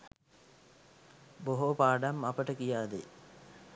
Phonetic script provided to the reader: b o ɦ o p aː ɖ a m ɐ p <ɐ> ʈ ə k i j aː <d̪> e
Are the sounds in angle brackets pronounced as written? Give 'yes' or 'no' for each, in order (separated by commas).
no, yes